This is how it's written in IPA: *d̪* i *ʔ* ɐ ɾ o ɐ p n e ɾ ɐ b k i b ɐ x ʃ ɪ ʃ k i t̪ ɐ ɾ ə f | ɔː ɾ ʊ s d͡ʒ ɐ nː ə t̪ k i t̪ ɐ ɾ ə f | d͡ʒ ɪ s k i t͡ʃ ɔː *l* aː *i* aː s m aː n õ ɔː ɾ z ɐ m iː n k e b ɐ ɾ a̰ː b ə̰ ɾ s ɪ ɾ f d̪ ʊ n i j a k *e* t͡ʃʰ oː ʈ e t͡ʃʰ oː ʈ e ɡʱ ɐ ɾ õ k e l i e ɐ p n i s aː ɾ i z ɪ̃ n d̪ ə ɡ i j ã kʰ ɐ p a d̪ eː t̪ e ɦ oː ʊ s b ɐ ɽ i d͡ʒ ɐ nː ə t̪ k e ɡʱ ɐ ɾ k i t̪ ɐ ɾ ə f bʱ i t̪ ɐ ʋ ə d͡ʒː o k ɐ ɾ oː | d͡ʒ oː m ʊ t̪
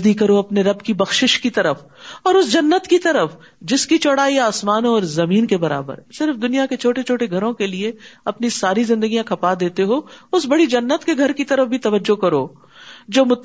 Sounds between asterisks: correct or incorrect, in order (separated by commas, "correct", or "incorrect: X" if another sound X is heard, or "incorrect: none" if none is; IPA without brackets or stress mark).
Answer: correct, incorrect: k, incorrect: ɽ, correct, correct